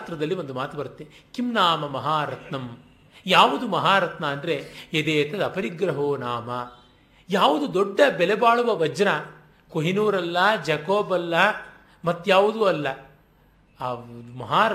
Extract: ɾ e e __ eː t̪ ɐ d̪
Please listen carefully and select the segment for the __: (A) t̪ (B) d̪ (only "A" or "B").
B